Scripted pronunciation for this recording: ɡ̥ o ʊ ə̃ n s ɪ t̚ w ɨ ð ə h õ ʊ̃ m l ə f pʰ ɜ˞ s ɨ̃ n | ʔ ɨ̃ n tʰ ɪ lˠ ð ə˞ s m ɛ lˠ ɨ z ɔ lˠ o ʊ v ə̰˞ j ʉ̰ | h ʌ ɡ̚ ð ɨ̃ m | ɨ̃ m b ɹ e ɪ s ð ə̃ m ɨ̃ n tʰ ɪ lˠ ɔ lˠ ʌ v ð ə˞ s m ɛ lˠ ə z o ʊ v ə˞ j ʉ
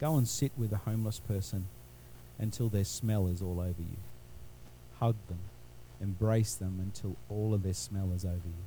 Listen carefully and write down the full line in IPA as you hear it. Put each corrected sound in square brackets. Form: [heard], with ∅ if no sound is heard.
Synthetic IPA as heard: ɡ̥ o ʊ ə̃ n s ɪ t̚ w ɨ ð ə h õ ʊ̃ m l ə [s] pʰ ɜ˞ s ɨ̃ n | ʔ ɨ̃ n tʰ ɪ lˠ ð ə˞ s m ɛ lˠ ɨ z ɔ lˠ o ʊ v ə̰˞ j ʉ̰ | h ʌ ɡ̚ ð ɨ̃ m | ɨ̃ m b ɹ e ɪ s ð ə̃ m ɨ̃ n tʰ ɪ lˠ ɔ lˠ ʌ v ð ə˞ s m ɛ lˠ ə z o ʊ v ə˞ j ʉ